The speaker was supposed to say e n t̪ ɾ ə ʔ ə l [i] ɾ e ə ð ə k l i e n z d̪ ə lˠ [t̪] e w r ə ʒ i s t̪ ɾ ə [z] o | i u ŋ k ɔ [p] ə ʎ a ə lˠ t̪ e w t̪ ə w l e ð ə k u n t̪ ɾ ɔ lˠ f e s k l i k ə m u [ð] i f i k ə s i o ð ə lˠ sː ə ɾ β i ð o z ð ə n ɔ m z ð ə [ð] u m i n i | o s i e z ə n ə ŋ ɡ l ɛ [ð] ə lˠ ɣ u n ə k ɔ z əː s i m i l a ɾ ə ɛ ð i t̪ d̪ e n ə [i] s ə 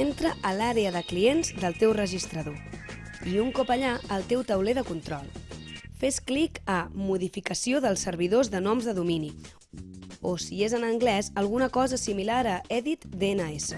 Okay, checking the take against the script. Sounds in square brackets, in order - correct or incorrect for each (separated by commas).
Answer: incorrect, correct, incorrect, correct, correct, correct, incorrect, incorrect